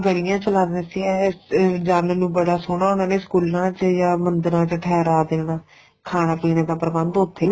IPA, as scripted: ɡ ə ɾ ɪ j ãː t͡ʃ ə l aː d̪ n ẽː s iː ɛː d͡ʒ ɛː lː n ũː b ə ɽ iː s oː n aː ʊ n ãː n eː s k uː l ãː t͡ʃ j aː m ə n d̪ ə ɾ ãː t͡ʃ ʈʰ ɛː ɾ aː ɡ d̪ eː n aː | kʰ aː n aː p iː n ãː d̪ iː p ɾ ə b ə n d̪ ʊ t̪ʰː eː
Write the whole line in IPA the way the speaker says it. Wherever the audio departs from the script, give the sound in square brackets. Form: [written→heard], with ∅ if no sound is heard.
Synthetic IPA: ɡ ə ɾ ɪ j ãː t͡ʃ ə l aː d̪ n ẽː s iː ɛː d͡ʒ [ɛː→aː] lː n ũː b ə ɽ [iː→aː] s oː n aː ʊ n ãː n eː s k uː l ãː t͡ʃ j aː m ə n d̪ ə ɾ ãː t͡ʃ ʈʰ ɛː ɾ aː [ɡ→∅] d̪ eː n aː | kʰ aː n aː p iː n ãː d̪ [iː→aː] p ɾ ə b ə n d̪ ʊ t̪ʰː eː